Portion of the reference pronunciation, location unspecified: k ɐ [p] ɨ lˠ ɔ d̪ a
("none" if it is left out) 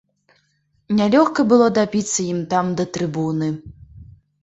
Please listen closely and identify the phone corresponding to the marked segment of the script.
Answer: b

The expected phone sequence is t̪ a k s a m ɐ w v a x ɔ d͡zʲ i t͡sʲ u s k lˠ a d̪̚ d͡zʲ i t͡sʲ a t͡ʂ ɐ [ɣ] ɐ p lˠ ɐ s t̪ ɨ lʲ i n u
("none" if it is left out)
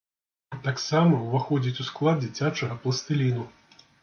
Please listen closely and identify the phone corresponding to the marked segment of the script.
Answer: ɣ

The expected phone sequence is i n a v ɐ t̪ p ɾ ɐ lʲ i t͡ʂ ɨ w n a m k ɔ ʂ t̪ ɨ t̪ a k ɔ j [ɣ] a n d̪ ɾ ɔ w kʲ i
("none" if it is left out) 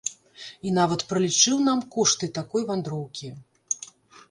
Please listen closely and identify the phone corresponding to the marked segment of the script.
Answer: v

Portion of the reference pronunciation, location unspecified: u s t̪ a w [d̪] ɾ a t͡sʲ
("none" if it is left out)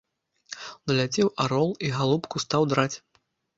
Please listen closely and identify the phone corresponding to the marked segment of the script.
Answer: d̪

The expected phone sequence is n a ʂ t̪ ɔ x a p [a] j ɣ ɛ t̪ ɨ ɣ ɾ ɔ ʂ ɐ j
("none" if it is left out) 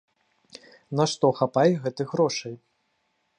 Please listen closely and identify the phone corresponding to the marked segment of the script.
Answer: a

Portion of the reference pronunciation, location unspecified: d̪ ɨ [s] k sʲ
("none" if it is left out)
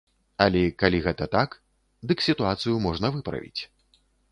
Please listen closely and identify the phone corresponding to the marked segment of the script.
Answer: none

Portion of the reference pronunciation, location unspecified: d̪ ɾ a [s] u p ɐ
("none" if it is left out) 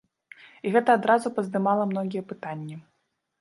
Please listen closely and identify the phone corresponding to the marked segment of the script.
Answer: z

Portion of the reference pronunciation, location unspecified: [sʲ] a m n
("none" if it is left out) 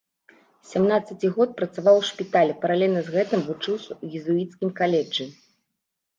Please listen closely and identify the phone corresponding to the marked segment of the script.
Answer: sʲ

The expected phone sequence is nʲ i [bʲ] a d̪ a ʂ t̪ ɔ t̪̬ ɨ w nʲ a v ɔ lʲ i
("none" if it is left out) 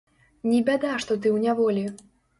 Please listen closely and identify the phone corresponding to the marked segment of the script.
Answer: bʲ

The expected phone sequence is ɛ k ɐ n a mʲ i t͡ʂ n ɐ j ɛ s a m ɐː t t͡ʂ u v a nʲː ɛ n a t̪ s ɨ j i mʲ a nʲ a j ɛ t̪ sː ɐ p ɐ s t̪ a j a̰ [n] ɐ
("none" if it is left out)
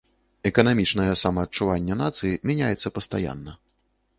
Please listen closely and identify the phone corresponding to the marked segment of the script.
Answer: nː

